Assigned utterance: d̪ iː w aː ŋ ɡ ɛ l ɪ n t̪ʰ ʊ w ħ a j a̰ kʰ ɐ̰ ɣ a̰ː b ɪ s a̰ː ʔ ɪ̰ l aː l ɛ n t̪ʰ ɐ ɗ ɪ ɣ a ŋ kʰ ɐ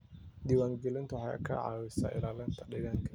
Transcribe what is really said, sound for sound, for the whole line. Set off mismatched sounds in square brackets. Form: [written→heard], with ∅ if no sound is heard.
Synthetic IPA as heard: d̪ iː w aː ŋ ɡ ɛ l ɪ n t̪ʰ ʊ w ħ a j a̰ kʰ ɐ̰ [ɣ→ʕ] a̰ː [b→w] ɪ s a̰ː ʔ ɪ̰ l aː l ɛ n t̪ʰ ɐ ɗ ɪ ɣ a ŋ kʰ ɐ